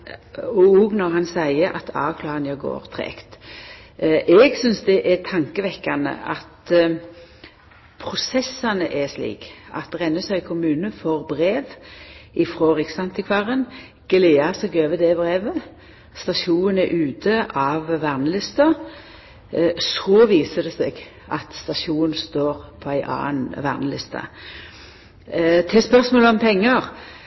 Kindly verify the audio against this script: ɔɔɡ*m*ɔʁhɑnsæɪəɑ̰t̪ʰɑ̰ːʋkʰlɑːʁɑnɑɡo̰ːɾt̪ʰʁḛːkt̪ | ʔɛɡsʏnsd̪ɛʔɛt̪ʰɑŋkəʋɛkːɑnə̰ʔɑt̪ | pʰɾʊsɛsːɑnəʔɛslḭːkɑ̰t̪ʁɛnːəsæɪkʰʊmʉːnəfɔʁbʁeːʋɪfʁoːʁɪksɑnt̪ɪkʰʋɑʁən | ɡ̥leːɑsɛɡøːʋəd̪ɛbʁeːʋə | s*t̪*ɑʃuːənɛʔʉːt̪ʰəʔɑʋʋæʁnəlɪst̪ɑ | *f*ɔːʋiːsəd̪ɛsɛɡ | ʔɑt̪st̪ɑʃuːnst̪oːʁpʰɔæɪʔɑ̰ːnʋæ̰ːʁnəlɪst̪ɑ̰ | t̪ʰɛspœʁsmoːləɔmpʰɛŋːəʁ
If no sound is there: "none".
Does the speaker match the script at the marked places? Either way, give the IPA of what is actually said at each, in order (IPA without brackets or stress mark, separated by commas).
n, t̪, s